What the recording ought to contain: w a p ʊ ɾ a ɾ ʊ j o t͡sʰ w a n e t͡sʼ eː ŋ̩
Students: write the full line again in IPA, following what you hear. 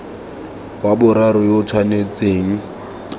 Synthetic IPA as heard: w a b ʊ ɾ a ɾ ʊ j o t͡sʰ w a n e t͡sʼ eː ŋ̩

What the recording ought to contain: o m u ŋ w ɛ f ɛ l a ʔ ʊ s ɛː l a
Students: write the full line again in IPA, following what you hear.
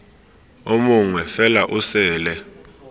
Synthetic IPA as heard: o m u ŋ w ɛ f ɛ l a ʔ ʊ s ɛː l ɛ

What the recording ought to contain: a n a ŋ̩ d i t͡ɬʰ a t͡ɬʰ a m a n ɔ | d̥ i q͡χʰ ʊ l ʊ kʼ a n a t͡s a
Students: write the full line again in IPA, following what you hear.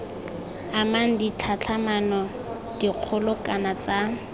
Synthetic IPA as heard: a m a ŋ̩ d i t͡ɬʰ a t͡ɬʰ a m a n ɔ | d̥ i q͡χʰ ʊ l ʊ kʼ a n a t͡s a

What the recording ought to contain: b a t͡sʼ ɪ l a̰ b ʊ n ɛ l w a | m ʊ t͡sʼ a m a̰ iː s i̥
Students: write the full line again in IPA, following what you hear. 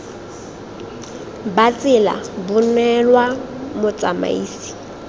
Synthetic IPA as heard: b a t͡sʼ ɪ l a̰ b ʊ n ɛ l w a | m ʊ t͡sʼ a m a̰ iː s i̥

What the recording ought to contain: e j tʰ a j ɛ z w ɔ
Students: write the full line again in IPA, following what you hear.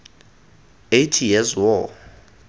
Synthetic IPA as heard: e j tʰ i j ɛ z w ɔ

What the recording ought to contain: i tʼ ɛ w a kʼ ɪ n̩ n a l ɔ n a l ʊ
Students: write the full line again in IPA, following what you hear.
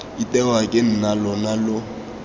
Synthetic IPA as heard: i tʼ ɛ w a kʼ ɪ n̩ n a l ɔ n a l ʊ

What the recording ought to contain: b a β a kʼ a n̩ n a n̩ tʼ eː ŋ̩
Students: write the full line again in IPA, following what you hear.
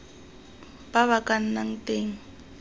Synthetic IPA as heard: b a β a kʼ a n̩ n a ŋ̩ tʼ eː ŋ̩

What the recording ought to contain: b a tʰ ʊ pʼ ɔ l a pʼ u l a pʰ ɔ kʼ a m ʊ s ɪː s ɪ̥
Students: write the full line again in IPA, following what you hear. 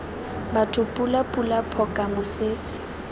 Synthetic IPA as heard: b a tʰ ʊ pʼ u l a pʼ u l a pʰ ɔ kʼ a m ʊ s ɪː s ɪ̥

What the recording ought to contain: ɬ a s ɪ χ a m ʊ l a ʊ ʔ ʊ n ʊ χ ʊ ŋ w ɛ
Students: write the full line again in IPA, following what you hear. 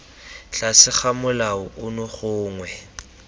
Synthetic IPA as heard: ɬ a s ɪ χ a m ʊ l a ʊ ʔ ʊ n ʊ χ ʊː ŋ w ɛ

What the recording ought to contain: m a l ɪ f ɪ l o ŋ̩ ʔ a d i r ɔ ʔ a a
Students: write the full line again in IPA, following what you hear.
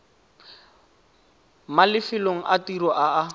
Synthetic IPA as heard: m a l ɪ f ɪ l o ŋ̩ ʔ a t i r ɔ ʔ a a

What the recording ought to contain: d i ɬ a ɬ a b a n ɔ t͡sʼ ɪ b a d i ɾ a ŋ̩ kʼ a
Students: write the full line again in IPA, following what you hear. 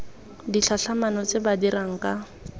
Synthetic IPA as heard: d i ɬ a ɬ a m a n ɔ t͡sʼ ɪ b a d i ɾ a ŋ̩ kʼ a

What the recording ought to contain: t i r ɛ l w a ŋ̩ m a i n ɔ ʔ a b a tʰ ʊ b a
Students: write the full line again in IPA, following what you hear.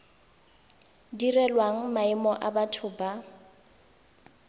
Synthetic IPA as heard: d i r ɛ l w a ŋ̩ m a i m ɔ ʔ a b a tʰ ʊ b a

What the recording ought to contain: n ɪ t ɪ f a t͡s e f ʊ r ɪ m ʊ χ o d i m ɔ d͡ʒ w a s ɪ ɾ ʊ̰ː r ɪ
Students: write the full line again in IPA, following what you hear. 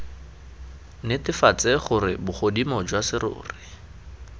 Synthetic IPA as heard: n ɪ t ɪ f a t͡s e χ ʊ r ɪ b ʊ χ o d i m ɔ d͡ʒ w a s ɪ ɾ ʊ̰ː r ɪ

